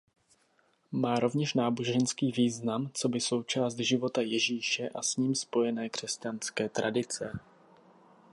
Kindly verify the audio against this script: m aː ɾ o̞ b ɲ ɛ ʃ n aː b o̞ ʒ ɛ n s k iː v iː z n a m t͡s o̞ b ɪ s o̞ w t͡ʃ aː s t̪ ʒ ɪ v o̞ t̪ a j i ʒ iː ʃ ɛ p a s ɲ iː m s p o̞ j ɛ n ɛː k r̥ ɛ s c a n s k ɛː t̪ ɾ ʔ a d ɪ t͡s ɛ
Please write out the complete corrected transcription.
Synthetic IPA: m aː ɾ o̞ v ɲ ɛ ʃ n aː b o̞ ʒ ɛ n s k iː v iː z n a m t͡s o̞ b ɪ s o̞ w t͡ʃ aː s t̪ ʒ ɪ v o̞ t̪ a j ɛ ʒ iː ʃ ɛ ʔ a s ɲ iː m s p o̞ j ɛ n ɛː k r̥ ɛ s c a n s k ɛː t̪ ɾ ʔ a d ɪ t͡s ɛ